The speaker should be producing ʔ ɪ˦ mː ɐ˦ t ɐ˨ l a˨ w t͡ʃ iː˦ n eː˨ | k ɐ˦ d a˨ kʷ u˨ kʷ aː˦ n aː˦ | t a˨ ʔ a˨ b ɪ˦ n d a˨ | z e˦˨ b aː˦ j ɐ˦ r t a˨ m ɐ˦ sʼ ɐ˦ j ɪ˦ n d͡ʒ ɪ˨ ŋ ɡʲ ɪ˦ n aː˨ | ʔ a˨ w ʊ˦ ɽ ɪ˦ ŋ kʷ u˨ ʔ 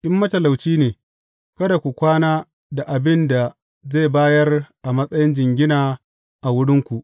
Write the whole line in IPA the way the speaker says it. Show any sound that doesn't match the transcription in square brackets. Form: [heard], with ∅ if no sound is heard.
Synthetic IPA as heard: ʔ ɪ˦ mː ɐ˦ t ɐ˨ l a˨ w t͡ʃ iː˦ n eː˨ | k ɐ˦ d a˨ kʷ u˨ kʷ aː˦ n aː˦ | [d] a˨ ʔ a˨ b ɪ˦ n d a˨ | z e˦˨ b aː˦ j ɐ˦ r [ʔ] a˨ m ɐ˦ sʼ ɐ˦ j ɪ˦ n d͡ʒ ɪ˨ ŋ ɡʲ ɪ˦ n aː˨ | ʔ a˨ w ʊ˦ ɽ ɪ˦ ŋ kʷ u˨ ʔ